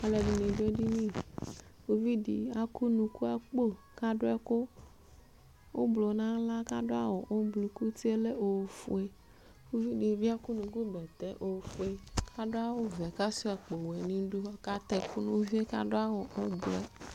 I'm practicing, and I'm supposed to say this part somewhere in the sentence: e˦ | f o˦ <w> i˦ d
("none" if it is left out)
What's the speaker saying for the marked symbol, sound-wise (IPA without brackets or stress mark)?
v